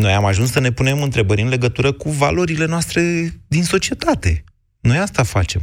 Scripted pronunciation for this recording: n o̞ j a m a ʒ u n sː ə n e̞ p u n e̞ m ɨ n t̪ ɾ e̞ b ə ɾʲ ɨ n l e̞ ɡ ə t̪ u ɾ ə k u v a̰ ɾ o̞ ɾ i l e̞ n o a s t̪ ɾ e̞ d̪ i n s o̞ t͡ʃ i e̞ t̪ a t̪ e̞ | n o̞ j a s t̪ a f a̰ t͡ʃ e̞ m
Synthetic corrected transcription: n o̞ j a m a ʒ u n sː ə n e̞ p u n e̞ m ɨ n t̪ ɾ e̞ b ə ɾʲ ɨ n l e̞ ɡ ə t̪ u ɾ ə k u v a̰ l o̞ ɾ i l e̞ n o a s t̪ ɾ e̞ d̪ i n s o̞ t͡ʃ i e̞ t̪ a t̪ e̞ | n o̞ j a s t̪ a f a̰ t͡ʃ e̞ m